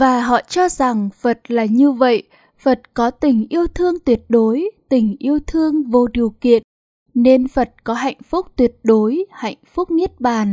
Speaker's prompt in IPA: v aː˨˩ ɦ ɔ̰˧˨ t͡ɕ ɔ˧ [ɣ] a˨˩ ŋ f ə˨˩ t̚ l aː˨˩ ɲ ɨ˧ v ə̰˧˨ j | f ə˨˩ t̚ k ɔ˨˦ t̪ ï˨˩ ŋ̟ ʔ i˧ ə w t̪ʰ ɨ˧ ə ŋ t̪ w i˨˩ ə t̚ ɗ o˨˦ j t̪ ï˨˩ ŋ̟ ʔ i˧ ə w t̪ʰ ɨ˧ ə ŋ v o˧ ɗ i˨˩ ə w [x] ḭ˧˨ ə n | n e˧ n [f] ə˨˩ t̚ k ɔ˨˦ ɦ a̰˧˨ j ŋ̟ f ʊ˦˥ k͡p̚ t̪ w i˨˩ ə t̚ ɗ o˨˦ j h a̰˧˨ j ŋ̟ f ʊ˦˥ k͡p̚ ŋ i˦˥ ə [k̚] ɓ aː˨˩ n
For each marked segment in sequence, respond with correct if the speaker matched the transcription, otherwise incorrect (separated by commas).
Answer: incorrect, incorrect, correct, incorrect